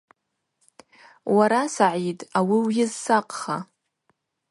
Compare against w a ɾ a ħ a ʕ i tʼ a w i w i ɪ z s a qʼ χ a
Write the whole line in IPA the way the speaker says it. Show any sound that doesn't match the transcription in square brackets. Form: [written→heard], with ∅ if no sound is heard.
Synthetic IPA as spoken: w a ɾ a [ħ→s] a ʕ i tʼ a w i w [i→j] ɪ z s a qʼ χ a